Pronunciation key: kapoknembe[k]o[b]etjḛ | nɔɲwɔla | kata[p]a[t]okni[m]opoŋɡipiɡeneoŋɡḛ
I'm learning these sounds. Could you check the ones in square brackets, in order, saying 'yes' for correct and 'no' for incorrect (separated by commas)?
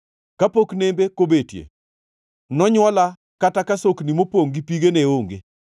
yes, yes, no, no, yes